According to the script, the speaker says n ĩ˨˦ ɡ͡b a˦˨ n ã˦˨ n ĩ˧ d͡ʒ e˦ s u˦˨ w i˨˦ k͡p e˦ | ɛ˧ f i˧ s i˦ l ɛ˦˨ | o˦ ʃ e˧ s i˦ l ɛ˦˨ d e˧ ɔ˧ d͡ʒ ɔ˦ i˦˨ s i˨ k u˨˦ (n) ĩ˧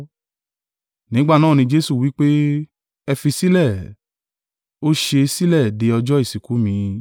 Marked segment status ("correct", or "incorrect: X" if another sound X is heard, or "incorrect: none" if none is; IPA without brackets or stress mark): incorrect: m